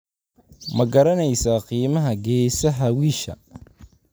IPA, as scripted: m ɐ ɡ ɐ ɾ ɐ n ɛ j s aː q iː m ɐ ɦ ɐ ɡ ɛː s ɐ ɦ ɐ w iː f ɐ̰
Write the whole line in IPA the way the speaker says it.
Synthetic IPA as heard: m ɐ ɡ ɐ ɾ ɐ n ɛ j s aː q iː m ɐ ɦ ɐ ɡ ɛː s ɐ ɦ ɐ w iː ʃ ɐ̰